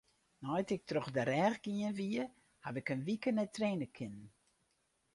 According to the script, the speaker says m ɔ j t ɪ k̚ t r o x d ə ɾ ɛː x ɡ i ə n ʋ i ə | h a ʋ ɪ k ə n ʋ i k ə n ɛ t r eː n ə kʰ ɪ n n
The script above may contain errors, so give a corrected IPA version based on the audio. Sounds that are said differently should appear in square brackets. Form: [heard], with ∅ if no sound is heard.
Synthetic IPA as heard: [n] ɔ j t ɪ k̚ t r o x d ə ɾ ɛː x ɡ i ə n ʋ i ə | h a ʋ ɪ k ə n ʋ i k ə n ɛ t r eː n ə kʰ ɪ n n